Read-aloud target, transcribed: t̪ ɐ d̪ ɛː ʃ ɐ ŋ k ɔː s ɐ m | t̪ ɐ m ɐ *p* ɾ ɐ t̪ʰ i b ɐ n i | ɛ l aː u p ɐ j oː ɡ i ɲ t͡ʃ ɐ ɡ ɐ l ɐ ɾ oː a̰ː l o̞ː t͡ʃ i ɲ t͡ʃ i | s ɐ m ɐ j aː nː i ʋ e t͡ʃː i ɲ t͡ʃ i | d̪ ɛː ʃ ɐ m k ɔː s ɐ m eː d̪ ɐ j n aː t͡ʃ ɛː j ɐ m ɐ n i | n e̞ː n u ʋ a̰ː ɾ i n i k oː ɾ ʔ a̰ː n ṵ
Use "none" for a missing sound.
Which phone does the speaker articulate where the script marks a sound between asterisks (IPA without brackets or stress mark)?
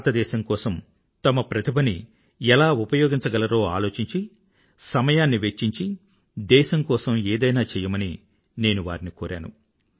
p